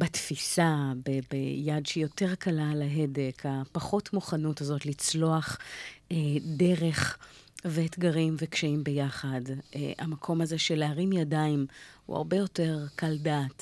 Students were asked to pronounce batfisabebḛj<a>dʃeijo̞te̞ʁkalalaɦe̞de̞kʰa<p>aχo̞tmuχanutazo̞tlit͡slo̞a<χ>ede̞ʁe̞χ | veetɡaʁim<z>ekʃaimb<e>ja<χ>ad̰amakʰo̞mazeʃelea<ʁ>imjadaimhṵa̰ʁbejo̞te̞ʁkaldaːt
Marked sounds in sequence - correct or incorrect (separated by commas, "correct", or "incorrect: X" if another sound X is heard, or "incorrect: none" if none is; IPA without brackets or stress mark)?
correct, correct, correct, incorrect: v, correct, correct, correct